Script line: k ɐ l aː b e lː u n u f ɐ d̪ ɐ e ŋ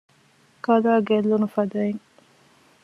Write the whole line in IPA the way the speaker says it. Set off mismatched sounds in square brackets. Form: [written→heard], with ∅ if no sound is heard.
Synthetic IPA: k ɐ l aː [b→ɡ] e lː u n u f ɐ d̪ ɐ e ŋ